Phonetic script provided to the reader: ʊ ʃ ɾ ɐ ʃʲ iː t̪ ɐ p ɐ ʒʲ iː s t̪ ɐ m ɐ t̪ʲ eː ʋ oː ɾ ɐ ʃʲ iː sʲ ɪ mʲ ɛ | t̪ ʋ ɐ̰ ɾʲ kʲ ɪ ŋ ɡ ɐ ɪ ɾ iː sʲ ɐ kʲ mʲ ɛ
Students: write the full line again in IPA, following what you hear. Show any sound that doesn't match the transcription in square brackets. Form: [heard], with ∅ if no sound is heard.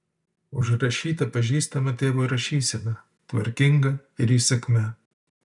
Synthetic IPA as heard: ʊ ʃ ɾ ɐ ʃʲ iː t̪ ɐ p ɐ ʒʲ iː s t̪ ɐ m ɐ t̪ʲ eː ʋ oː ɾ ɐ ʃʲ iː sʲ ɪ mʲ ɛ | t̪ ʋ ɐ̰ ɾʲ kʲ ɪ ŋ ɡ ɐ ɪ ɾ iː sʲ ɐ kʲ mʲ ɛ